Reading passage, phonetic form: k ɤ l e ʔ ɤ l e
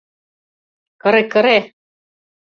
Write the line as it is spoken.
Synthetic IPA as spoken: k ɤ ɾ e k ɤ ɾ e